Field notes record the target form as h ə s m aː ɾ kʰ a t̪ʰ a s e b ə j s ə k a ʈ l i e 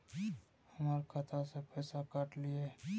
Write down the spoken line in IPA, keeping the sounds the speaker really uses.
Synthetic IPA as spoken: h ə m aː ɾ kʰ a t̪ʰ a s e p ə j s a k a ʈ l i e